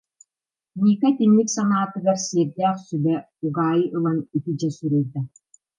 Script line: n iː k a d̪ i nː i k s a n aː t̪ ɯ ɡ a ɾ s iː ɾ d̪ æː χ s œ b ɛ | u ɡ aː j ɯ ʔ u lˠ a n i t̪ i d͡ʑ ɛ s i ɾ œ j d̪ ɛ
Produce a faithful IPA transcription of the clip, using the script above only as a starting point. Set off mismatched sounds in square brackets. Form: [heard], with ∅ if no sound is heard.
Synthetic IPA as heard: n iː k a [t̪] i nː i k s a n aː t̪ ɯ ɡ a ɾ s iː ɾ d̪ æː χ s [y] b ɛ | u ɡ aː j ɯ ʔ [ɯ] lˠ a n i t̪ i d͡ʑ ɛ s [y] ɾ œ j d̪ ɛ